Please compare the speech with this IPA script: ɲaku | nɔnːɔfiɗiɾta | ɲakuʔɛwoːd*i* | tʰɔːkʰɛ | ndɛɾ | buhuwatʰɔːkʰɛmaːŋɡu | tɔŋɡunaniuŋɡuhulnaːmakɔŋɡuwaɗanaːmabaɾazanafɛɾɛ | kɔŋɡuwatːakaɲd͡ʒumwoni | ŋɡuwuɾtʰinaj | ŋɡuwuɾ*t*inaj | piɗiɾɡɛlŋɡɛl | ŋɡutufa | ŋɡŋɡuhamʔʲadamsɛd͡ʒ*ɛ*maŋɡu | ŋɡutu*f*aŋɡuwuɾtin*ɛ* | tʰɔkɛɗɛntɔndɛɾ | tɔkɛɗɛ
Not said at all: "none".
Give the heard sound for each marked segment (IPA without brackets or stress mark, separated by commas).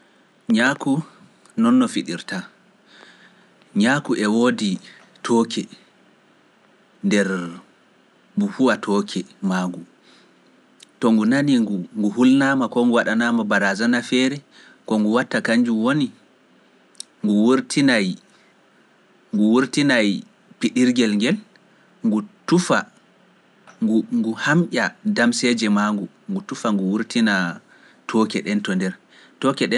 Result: i, t, ɛ, f, a